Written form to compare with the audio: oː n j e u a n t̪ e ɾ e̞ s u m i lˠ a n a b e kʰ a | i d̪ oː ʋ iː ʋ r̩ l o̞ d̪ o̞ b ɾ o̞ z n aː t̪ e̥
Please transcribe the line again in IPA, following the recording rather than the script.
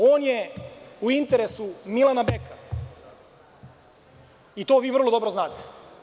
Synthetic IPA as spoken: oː n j e u i n t̪ e ɾ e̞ s u m i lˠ a n a b e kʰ a | i t̪ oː ʋ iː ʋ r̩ l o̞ d̪ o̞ b ɾ o̞ z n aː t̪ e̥

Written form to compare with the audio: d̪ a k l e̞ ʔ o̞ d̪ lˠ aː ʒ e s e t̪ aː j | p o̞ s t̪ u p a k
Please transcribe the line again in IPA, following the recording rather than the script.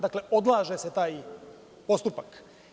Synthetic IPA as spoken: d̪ a k l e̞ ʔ o̞ d̪ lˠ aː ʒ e s e t̪ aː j | p o̞ s t̪ u p a k

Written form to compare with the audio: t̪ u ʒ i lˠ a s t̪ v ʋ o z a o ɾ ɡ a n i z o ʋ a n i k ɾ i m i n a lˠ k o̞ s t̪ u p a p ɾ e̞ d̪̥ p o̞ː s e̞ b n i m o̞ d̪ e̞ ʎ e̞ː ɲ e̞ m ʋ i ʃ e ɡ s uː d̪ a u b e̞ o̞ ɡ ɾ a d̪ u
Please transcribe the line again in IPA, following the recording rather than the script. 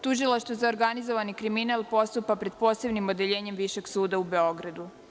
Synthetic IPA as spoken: t̪ u ʒ i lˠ a ʃ t̪ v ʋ o z a o ɾ ɡ a n i z o ʋ a n i k ɾ i m i n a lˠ p o̞ s t̪ u p a p ɾ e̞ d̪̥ p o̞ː s e̞ b n i m o̞ d̪ e̞ ʎ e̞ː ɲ e̞ m ʋ i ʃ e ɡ s uː d̪ a u b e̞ o̞ ɡ ɾ a d̪ u

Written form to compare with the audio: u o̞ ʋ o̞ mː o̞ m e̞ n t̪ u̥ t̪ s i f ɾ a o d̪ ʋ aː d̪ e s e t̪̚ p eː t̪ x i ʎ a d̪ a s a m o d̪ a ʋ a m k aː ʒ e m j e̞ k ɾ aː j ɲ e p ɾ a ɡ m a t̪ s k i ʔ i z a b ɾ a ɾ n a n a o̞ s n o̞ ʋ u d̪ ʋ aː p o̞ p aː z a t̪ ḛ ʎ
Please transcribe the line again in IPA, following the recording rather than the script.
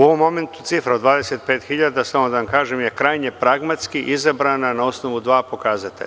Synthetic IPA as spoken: u o̞ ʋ o̞ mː o̞ m e̞ n t̪ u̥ t̪ s i f ɾ a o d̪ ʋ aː d̪ e s e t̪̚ p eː t̪ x i ʎ a d̪ a s a m o d̪ a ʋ a m k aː ʒ e m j e̞ k ɾ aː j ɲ e p ɾ a ɡ m a t̪ s k i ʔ i z a b ɾ a n a n a o̞ s n o̞ ʋ u d̪ ʋ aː p o̞ k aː z a t̪ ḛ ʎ

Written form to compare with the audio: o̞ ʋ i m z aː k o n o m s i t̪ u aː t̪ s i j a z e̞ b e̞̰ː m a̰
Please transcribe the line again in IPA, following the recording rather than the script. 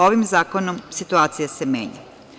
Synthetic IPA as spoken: o̞ ʋ i m z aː k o n o m s i t̪ u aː t̪ s i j a s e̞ m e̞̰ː ɲ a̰

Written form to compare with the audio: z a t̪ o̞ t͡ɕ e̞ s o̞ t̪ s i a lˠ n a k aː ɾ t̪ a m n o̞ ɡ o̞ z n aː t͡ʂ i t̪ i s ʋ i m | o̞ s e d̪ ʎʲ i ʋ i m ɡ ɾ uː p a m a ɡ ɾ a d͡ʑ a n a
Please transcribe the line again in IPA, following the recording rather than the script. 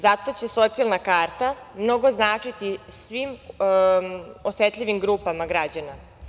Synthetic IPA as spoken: z a t̪ o̞ t͡ɕ e̞ s o̞ t̪ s i a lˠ n a k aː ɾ t̪ a m n o̞ ɡ o̞ z n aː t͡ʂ i t̪ i s ʋ i m | o̞ s e t̪ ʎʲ i ʋ i m ɡ ɾ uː p a m a ɡ ɾ a d͡ʑ a n a

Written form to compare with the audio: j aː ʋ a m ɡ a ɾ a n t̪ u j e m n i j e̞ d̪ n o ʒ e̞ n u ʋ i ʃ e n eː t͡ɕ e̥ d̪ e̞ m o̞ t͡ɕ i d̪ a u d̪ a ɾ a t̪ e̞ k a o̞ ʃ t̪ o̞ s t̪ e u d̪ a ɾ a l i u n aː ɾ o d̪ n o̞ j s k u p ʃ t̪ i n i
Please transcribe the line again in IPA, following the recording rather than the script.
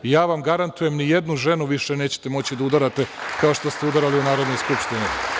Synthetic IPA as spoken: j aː ʋ a m ɡ a ɾ a n t̪ u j e m n i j e̞ d̪ n u ʒ e̞ n u ʋ i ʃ e n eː t͡ɕ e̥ t̪ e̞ m o̞ t͡ɕ i d̪ a u d̪ a ɾ a t̪ e̞ k a o̞ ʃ t̪ o̞ s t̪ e u d̪ a ɾ a l i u n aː ɾ o d̪ n o̞ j s k u p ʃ t̪ i n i

